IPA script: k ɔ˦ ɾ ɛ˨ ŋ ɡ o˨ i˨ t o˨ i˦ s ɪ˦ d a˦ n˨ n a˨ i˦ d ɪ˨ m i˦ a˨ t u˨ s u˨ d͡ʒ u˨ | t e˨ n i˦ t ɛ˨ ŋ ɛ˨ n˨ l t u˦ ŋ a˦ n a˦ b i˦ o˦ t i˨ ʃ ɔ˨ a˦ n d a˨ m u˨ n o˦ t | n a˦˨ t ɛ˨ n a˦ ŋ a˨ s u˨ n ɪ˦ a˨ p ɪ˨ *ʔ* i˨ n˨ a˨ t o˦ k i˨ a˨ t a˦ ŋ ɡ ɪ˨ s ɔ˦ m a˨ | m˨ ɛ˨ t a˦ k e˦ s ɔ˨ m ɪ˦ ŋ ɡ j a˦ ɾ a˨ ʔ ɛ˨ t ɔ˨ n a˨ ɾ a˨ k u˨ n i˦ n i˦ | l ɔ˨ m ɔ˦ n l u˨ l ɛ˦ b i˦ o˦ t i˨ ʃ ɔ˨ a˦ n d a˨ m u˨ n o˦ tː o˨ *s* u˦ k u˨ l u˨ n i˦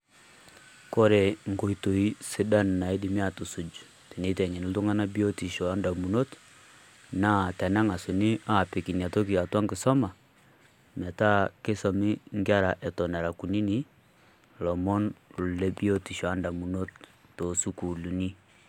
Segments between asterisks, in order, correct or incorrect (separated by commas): incorrect, correct